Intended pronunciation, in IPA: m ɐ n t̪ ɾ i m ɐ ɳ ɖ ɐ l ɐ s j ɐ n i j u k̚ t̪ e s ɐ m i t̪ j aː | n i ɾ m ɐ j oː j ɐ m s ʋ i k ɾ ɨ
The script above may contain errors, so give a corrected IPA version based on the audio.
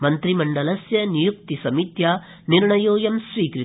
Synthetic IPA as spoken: m ɐ n t̪ ɾ i m ɐ ɳ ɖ ɐ l ɐ s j ɐ n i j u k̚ t̪ i s ɐ m i t̪ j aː | n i ɾ ɳ ɐ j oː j ɐ m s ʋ iː k ɾ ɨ